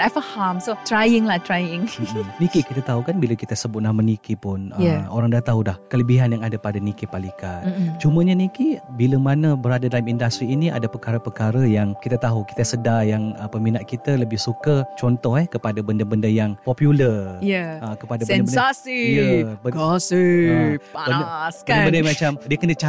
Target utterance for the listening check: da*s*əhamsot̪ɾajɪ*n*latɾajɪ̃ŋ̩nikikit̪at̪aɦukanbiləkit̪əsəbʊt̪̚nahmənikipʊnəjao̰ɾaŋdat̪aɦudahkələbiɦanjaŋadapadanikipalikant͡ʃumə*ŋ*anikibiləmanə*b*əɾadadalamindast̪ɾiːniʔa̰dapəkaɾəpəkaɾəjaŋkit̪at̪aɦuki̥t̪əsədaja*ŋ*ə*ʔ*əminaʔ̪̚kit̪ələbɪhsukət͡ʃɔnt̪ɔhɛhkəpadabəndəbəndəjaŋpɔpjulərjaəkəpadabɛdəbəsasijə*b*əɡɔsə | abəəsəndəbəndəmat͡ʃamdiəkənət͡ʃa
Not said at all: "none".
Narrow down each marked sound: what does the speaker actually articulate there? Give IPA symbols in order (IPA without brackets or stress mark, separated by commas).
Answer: f, ŋ, ɲ, b, ŋ, p, b